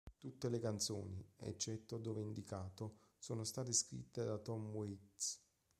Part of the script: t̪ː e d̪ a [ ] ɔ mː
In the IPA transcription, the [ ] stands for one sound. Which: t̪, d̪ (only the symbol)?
t̪